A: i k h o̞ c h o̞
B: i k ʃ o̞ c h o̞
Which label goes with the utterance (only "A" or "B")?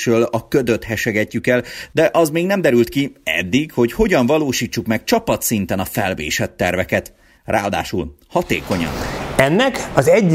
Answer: A